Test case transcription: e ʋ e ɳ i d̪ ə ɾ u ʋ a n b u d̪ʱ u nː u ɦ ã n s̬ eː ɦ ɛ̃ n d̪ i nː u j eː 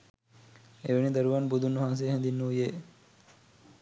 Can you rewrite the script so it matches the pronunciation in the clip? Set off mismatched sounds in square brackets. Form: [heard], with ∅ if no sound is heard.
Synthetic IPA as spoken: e ʋ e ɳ i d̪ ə ɾ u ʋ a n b u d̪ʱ u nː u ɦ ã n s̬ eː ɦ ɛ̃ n d̪ i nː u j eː